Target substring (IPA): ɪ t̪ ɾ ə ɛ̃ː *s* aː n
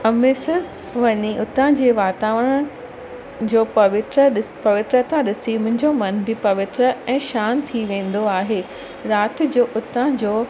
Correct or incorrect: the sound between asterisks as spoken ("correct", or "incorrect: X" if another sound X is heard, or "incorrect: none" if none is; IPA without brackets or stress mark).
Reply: incorrect: ʃ